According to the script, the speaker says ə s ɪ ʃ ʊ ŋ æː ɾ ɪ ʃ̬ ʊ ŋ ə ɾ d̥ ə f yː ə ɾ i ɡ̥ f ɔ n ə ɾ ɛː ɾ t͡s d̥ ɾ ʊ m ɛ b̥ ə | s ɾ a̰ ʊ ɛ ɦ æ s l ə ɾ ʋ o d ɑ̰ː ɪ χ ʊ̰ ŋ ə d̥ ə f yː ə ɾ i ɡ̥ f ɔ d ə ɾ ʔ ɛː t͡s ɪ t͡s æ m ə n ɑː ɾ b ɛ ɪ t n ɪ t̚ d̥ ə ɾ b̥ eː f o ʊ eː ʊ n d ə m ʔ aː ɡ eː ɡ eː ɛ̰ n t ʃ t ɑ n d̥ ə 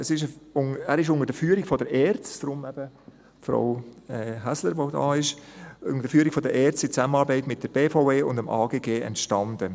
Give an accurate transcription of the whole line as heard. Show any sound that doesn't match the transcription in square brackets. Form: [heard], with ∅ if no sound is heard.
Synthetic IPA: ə s ɪ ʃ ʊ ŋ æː ɾ ɪ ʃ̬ ʊ ŋ ə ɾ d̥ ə f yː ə ɾ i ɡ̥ f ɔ [d] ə ɾ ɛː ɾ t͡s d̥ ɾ ʊ m ɛ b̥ ə | [f] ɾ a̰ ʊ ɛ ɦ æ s l ə ɾ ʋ o d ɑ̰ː ɪ [ʃ] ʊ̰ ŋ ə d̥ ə f yː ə ɾ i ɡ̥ f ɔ d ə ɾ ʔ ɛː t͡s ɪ t͡s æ m ə n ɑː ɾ b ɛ ɪ t [m] ɪ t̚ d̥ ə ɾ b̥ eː f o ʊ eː ʊ n d ə m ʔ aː ɡ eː ɡ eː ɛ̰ n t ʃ t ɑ n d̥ ə